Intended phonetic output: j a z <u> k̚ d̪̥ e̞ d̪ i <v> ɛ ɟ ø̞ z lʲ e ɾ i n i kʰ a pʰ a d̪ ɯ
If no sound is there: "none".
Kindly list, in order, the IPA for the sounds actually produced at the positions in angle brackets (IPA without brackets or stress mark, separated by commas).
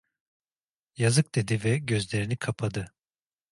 ɯ, v